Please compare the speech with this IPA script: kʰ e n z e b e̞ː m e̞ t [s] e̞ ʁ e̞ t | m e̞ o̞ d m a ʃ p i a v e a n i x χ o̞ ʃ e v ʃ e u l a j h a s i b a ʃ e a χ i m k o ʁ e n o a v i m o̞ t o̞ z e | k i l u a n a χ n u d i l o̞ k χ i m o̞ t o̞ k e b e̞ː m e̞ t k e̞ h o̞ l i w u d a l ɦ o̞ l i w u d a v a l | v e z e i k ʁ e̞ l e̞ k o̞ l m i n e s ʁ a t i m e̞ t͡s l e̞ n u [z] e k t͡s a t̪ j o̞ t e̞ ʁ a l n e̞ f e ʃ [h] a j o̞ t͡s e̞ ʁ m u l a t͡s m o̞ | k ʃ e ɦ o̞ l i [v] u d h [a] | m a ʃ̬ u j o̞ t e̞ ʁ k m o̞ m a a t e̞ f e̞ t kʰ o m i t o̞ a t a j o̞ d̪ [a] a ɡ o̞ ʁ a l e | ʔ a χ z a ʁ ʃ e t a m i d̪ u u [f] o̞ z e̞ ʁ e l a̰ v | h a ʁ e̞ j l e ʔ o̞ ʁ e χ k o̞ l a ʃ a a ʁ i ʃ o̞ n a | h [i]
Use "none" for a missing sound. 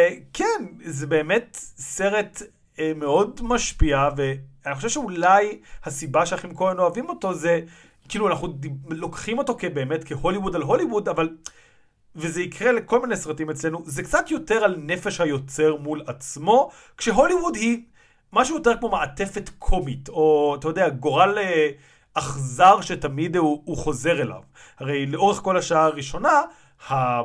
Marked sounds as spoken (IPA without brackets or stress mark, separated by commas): s, z, h, w, i, e, χ, a